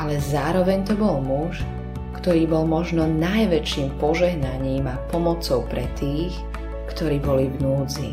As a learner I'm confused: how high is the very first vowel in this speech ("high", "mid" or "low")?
low